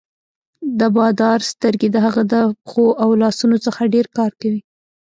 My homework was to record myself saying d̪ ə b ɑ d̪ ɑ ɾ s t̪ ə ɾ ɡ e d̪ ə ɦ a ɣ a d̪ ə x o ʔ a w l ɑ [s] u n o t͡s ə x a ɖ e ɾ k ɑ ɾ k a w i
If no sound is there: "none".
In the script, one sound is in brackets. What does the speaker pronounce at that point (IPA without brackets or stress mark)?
s